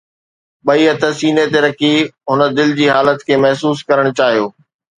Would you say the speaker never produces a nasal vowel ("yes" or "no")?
yes